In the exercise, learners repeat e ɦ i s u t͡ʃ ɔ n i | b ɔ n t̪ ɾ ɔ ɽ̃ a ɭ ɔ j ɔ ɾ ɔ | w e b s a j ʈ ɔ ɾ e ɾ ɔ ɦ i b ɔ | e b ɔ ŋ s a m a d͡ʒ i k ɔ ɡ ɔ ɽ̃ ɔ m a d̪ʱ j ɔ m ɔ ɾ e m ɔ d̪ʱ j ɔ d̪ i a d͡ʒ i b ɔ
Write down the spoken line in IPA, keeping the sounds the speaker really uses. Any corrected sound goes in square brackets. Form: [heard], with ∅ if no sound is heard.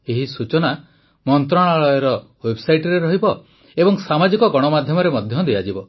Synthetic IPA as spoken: e ɦ i s u t͡ʃ ɔ n [a] | [m] ɔ n t̪ ɾ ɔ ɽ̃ a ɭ ɔ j ɔ ɾ ɔ | w e b s a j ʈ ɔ ɾ e ɾ ɔ ɦ i b ɔ | e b ɔ ŋ s a m a d͡ʒ i k ɔ ɡ ɔ ɽ̃ ɔ m a d̪ʱ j ɔ m ɔ ɾ e m ɔ d̪ʱ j ɔ d̪ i a d͡ʒ i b ɔ